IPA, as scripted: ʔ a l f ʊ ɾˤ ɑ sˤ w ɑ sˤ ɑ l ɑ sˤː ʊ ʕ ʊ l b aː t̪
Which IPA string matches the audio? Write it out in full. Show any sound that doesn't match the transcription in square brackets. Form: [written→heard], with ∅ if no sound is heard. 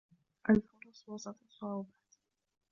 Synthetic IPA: ʔ a l f ʊ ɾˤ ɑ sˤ w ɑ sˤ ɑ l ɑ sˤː ʊ ʕ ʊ [l→∅] b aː t̪